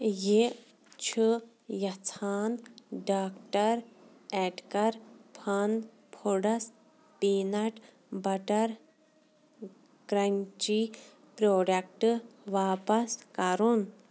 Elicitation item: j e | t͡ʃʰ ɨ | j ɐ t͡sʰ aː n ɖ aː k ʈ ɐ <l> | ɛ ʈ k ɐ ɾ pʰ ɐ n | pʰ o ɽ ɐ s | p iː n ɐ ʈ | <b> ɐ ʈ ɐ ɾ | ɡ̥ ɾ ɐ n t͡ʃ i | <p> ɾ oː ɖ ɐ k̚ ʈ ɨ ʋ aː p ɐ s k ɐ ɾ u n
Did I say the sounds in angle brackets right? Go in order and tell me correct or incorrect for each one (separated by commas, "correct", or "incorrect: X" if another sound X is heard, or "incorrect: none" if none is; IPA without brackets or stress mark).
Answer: incorrect: ɾ, correct, correct